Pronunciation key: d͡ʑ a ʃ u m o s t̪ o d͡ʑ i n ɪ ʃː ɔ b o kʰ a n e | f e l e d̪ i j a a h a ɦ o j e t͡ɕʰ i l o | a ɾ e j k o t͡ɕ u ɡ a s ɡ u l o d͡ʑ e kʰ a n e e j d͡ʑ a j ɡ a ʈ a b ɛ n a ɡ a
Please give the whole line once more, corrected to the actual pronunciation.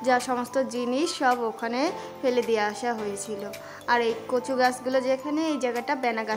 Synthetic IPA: d͡ʑ a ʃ ɔ m o s t̪ o d͡ʑ i n i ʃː ɔ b o kʰ a n e | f e l e d̪ i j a a ʃ a ɦ o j e t͡ɕʰ i l o | a ɾ e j k o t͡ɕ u ɡ a s ɡ u l o d͡ʑ e kʰ a n e e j d͡ʑ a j ɡ a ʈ a b ɛ n a ɡ a

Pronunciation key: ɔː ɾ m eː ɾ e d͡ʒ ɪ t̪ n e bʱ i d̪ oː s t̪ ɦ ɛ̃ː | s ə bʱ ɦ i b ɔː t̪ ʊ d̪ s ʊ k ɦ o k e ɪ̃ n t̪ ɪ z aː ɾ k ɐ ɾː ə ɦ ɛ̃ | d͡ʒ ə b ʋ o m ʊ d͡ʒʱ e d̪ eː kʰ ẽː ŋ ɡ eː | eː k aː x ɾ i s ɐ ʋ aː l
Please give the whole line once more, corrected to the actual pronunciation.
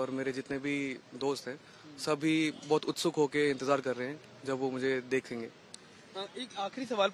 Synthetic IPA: ɔː ɾ m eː ɾ e d͡ʒ ɪ t̪ n e bʱ i d̪ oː s t̪ ɦ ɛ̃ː | s ɐ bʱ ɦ i b ɔː t̪ ʊ t̪ s ʊ k ɦ o k e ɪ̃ n t̪ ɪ z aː ɾ k ɐ ɾː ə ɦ ɛ̃ | d͡ʒ ɐ b ʋ o m ʊ d͡ʒʱ e d̪ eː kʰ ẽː ŋ ɡ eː | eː k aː x ɾ i s ɐ ʋ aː l

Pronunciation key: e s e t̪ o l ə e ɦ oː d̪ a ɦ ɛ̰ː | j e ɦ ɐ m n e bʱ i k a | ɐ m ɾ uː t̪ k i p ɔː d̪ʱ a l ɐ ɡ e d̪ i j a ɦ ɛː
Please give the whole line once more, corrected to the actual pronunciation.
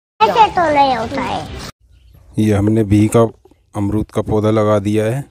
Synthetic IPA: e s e t̪ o l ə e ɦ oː t̪ a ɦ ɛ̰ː | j e ɦ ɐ m n e bʱ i k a | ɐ m ɾ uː t̪ k a p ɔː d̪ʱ a l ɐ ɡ a d̪ i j a ɦ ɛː

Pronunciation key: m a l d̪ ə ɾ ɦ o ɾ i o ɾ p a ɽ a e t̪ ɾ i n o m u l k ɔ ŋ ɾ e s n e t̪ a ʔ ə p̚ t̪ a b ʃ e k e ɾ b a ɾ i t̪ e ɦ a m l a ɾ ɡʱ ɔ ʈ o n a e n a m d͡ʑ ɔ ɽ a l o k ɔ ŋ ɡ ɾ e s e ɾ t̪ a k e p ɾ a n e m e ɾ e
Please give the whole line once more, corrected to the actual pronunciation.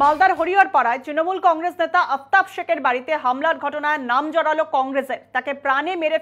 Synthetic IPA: m a l d̪ a ɾ ɦ o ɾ i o ɾ p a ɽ a e t̪ ɾ i n o m u l k ɔ ŋ ɾ e s n e t̪ a ʔ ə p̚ t̪ a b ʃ e k e ɾ b a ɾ i t̪ e ɦ a m l a ɾ ɡʱ ɔ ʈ o n a e n a m d͡ʑ ɔ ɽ a l o k ɔ ŋ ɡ ɾ e s e ɾ t̪ a k e p ɾ a n e m e ɾ e

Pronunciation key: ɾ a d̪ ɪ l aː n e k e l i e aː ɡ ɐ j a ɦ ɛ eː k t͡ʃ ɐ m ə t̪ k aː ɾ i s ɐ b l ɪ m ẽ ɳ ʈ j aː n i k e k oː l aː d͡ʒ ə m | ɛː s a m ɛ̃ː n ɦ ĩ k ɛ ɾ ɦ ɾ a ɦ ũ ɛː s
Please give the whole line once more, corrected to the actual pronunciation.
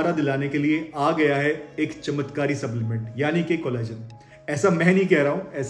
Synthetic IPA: ɾ a d̪ ɪ l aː n e k e l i e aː ɡ ɐ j a ɦ ɛ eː k t͡ʃ ɐ m ə t̪ k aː ɾ i s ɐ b l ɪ m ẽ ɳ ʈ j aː n i k e k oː l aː d͡ʒ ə n | ɛː s a m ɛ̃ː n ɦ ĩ k ɛ ɦ ɾ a ɦ ũ ɛː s

